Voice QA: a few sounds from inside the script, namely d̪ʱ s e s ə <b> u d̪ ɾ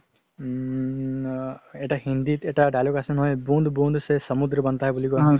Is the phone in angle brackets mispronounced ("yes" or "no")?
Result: yes